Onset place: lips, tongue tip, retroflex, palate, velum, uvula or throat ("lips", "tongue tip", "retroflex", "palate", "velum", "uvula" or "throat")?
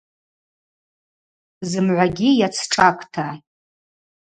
tongue tip